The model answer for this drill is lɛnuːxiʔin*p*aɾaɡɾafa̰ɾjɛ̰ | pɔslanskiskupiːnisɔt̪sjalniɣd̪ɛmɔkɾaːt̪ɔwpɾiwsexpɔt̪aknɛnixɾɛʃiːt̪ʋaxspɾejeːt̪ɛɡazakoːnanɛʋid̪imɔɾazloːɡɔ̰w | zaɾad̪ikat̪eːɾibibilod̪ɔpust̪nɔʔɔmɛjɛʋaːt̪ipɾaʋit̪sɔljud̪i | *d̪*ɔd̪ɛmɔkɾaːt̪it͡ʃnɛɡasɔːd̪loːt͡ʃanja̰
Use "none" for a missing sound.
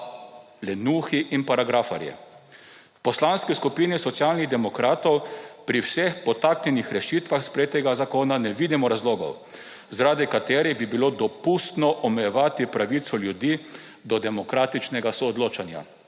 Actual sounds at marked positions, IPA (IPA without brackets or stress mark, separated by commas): p, d̪